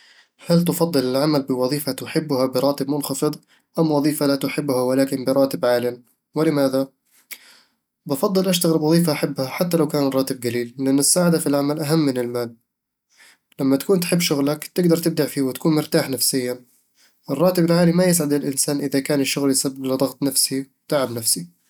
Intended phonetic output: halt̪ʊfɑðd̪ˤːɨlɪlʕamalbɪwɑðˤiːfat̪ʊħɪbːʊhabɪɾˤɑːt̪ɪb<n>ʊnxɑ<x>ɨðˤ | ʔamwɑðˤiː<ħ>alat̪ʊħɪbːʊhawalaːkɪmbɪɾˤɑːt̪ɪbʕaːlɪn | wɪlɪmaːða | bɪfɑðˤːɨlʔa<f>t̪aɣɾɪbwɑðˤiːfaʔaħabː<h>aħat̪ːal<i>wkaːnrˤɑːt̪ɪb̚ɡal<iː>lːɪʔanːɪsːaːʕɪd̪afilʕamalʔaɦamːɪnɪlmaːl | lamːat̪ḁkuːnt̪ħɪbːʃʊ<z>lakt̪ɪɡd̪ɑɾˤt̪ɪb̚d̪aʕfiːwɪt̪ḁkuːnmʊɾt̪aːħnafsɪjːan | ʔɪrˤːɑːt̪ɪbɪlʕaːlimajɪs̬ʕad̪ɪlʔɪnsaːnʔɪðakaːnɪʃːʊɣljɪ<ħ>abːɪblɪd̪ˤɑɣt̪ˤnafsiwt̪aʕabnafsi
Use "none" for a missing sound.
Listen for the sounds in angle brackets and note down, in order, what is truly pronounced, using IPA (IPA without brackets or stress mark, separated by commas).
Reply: m, f, f, ʃ, h, a, iː, ɣ, s